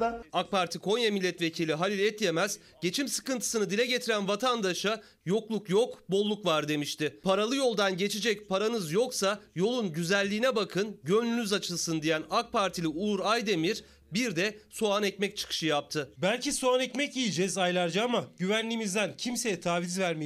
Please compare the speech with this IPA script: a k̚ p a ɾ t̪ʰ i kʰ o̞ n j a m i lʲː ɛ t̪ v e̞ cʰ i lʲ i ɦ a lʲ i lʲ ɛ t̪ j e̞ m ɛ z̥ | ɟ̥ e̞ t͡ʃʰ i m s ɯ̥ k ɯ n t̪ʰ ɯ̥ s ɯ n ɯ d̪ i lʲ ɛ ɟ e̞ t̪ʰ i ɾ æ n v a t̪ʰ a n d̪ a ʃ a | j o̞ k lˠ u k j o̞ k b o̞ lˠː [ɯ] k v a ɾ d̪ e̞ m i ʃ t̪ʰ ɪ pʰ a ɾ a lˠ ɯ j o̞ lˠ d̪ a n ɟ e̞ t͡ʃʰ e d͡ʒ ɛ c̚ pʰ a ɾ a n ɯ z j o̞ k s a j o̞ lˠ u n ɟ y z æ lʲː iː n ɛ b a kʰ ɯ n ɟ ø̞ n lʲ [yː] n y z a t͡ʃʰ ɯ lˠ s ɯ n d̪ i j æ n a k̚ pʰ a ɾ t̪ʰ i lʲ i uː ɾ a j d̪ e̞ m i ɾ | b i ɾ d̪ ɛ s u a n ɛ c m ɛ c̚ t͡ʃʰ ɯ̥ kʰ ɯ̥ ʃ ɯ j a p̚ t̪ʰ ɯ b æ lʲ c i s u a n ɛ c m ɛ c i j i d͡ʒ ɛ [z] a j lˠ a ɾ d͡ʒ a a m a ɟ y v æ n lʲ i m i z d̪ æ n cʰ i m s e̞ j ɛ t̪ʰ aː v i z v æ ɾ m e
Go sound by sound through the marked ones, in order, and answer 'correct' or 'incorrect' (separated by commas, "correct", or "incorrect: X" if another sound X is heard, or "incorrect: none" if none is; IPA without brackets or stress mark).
incorrect: u, incorrect: y, correct